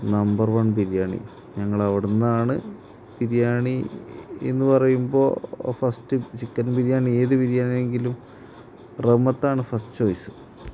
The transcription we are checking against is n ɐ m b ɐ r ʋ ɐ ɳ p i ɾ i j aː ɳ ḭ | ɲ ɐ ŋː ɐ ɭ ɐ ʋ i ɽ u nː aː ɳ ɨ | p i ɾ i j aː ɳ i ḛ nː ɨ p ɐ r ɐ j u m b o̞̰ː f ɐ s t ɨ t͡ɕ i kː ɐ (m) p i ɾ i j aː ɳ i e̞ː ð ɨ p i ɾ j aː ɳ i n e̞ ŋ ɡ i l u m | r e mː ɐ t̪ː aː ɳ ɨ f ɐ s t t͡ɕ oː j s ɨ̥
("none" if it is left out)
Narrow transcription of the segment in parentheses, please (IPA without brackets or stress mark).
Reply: n